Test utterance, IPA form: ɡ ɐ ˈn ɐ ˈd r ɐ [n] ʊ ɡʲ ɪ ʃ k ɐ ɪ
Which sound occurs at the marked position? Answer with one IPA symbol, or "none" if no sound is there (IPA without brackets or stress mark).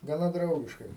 none